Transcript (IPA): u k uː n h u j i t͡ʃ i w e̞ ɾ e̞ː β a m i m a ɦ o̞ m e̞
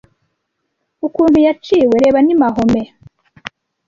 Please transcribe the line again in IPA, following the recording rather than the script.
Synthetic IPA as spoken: u k uː n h u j a t͡ʃ i w e̞ ɾ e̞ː β a n i m a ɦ o̞ m e̞